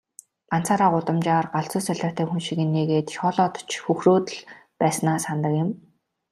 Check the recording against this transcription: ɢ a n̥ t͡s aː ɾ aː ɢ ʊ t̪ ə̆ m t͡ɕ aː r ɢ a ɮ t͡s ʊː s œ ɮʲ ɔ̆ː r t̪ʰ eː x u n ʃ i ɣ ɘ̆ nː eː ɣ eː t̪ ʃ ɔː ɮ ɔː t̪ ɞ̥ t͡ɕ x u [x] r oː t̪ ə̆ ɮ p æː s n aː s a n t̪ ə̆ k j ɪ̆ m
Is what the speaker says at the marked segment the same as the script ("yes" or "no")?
yes